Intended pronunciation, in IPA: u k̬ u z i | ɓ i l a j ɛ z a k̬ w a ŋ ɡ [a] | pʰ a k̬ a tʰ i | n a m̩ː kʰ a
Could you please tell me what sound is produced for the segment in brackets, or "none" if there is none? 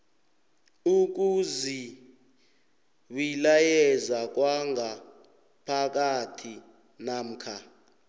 a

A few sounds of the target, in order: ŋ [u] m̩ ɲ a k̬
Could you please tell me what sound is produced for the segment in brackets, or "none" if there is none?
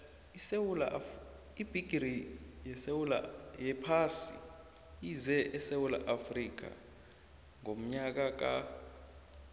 o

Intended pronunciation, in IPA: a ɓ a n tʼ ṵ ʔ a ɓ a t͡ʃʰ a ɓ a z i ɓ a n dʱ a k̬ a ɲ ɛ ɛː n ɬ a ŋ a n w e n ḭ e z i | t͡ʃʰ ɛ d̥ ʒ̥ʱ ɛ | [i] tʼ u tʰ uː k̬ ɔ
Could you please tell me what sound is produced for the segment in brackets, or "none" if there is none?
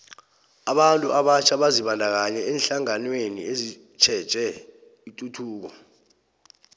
i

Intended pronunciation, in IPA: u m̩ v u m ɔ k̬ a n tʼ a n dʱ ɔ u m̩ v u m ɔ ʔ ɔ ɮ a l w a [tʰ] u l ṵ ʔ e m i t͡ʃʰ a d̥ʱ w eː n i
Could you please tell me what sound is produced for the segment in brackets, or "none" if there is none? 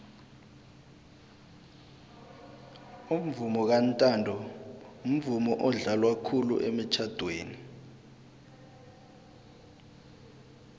kʰ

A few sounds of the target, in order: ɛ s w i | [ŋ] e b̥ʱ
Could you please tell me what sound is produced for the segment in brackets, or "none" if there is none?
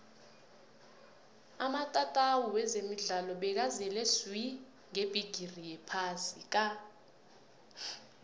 ŋ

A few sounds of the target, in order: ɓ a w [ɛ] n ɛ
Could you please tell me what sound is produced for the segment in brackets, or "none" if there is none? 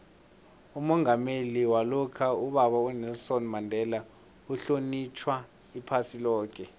ɛ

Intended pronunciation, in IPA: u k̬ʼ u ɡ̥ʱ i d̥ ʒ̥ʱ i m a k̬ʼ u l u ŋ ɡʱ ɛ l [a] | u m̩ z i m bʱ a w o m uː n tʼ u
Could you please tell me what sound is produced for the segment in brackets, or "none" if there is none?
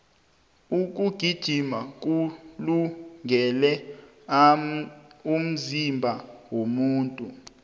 ɛ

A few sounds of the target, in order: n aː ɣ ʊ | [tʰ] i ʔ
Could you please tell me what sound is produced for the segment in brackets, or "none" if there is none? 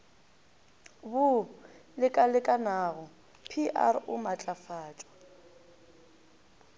pʰ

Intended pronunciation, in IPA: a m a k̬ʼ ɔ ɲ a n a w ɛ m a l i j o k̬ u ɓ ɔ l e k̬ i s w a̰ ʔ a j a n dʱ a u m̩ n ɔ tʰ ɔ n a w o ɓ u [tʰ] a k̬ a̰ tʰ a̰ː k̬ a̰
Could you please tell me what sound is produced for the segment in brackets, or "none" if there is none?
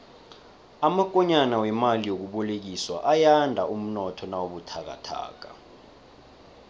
tʰ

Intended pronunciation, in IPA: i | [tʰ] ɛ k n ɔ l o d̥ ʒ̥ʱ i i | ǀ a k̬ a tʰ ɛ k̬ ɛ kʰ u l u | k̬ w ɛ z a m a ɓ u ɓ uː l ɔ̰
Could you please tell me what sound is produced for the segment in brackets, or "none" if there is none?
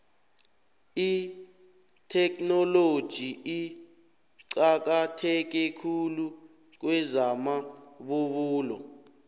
tʰ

